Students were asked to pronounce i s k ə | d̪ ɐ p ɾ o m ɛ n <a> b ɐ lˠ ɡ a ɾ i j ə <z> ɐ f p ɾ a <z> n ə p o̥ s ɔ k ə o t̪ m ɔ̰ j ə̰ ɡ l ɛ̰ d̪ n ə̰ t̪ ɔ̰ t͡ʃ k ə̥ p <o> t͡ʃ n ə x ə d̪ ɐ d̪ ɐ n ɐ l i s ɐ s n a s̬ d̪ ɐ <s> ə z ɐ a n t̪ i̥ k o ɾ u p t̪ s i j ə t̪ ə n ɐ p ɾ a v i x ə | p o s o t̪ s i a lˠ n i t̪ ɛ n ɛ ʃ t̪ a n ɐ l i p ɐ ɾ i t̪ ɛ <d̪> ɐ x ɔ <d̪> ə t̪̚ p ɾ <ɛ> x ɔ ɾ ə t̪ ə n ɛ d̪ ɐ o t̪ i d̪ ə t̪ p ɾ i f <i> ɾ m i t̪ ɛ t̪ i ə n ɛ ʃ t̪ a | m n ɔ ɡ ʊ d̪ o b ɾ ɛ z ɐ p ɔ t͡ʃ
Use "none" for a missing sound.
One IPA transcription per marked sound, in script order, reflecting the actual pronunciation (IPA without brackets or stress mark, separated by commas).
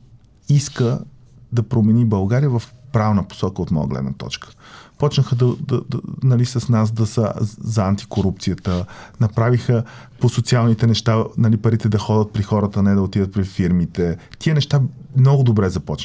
i, v, v, ɔ, s, d̪, d̪, i, i